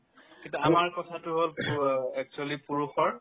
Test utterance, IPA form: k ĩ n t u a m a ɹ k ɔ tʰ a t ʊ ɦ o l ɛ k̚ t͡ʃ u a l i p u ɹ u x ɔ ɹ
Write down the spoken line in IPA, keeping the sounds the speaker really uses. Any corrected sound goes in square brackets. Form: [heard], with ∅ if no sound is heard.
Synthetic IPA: k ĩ n t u a m a ɹ k ɔ tʰ a t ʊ ɦ o l ɛ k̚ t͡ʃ u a l i p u ɹ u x ɔ ɹ